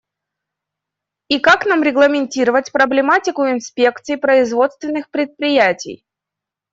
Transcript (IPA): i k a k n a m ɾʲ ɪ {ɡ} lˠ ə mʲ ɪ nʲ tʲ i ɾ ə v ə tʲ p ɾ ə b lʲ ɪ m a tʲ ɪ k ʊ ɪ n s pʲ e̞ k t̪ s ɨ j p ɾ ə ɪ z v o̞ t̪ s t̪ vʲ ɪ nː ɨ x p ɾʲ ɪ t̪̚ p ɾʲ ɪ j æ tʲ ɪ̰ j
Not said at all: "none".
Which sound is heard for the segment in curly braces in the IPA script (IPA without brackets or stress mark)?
ɡ